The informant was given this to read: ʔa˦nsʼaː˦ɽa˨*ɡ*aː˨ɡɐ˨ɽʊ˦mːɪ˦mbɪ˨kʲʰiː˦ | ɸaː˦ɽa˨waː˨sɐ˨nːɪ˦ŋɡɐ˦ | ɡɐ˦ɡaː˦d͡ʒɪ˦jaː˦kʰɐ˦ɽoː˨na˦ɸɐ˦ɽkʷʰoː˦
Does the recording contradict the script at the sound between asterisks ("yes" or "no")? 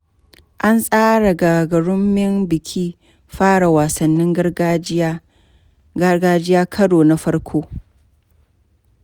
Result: no